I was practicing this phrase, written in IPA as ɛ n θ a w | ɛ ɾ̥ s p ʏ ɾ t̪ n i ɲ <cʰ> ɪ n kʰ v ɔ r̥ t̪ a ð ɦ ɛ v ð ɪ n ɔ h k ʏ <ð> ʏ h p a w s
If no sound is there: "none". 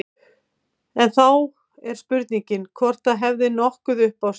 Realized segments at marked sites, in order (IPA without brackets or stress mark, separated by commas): c, ð